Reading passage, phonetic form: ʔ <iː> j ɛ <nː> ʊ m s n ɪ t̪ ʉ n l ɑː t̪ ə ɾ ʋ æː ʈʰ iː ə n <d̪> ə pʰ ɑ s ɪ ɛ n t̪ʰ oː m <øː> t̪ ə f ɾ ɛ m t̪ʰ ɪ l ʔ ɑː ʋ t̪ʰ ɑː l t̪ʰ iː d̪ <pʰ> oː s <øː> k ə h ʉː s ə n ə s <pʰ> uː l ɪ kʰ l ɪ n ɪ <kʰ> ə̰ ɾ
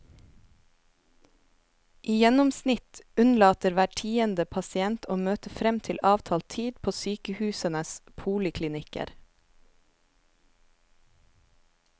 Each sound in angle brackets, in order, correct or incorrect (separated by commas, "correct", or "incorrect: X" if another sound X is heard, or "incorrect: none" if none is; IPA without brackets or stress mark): correct, incorrect: n, correct, correct, correct, incorrect: yː, correct, incorrect: k